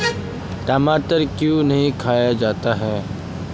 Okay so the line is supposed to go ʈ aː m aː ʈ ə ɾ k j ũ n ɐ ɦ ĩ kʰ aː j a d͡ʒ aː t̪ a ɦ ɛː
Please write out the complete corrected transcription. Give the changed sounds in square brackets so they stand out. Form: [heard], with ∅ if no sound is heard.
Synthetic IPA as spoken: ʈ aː m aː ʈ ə ɾ k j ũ n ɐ ɦ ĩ kʰ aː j a d͡ʒ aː t̪ a ɦ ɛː

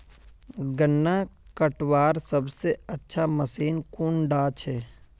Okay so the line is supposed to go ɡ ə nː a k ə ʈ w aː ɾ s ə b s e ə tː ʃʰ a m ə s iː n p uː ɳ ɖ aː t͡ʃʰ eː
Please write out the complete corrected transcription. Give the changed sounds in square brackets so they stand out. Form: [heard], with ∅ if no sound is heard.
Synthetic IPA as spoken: ɡ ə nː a k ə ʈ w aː ɾ s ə b s e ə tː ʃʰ a m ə s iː n [k] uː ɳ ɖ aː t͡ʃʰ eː

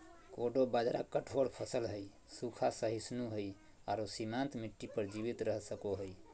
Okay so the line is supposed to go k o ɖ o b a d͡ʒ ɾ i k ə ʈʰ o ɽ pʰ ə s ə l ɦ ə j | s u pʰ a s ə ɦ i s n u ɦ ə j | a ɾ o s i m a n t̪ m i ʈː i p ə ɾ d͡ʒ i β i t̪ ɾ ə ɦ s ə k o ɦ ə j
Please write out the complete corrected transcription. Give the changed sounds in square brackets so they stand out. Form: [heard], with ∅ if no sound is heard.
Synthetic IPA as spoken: k o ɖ o b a d͡ʒ ɾ [a] k ə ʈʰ o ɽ pʰ ə s ə l ɦ ə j | s u [kʰ] a s ə ɦ i s n u ɦ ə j | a ɾ o s i m a n t̪ m i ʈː i p ə ɾ d͡ʒ i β i t̪ ɾ ə ɦ s ə k o ɦ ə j

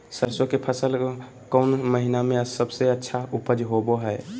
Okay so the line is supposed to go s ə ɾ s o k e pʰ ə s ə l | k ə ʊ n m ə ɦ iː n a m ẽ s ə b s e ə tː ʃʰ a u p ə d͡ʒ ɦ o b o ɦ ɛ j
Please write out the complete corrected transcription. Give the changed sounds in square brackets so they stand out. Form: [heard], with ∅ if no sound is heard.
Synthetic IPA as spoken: s ə ɾ s o k e pʰ ə s ə l | k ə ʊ n m ə ɦ [i] n a m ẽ s ə b s e ə tː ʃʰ a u p ə d͡ʒ ɦ o b o ɦ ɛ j

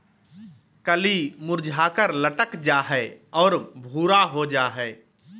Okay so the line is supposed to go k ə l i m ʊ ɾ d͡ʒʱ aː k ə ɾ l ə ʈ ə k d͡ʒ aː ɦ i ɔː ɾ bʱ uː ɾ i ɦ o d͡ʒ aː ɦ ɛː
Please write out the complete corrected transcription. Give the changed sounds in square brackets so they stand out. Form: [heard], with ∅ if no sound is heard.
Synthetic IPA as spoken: k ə l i m ʊ ɾ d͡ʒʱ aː k ə ɾ l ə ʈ ə k d͡ʒ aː ɦ [ɛ] ɔː ɾ bʱ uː ɾ [a] ɦ o d͡ʒ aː ɦ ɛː

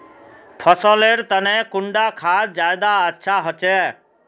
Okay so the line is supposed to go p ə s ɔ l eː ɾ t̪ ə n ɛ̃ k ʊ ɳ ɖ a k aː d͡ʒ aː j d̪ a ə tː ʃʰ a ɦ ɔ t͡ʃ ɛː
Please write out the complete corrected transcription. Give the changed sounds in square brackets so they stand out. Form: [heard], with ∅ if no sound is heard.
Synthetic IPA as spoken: [pʰ] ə s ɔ l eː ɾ t̪ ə n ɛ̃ k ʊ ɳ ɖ a [kʰ] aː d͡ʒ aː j d̪ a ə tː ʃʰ a ɦ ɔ t͡ʃ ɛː

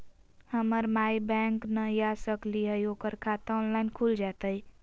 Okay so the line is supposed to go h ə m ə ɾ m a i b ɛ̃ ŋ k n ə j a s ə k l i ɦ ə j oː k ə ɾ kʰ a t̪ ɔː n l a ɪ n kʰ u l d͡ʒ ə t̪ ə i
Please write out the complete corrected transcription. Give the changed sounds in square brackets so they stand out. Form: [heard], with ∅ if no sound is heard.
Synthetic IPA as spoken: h ə m ə ɾ m a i b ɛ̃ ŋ k n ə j a s ə k l i ɦ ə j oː k ə ɾ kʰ a t̪ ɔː n l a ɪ n kʰ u l d͡ʒ [a] t̪ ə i

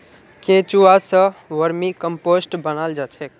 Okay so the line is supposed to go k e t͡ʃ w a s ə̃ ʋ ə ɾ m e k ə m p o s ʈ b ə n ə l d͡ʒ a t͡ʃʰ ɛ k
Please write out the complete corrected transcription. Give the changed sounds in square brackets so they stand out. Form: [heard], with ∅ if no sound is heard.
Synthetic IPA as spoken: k e t͡ʃ [u] a s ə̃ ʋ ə ɾ m [i] k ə m p o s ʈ b ə n [a] l d͡ʒ a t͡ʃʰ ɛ k

